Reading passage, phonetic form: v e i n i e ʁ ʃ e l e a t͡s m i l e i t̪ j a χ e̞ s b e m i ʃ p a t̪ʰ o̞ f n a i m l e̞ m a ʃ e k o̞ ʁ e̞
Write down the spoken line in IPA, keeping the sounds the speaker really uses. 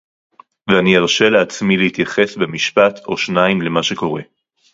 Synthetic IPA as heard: v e a n i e ʁ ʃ e l e a t͡s m i l e i t̪ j a χ e̞ s b e m i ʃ p a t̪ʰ o̞ ʃ n a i m l e̞ m a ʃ e k o̞ ʁ e̞